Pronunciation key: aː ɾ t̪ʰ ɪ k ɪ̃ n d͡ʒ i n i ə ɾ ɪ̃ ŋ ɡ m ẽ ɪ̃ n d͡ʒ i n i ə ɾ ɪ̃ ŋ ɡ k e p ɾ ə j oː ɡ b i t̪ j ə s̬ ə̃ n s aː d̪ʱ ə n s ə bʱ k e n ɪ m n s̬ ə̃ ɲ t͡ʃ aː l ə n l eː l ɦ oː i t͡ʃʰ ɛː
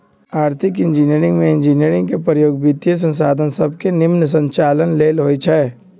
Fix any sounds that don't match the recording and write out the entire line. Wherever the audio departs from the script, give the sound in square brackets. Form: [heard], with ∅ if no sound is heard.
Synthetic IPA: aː ɾ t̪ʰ ɪ k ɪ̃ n d͡ʒ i n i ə ɾ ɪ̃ ŋ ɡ m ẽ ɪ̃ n d͡ʒ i n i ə ɾ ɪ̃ ŋ ɡ k e p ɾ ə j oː ɡ b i t̪ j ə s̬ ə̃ n s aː d̪ʱ ə n s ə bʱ k e n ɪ m n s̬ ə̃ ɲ t͡ʃ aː l ə n l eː l ɦ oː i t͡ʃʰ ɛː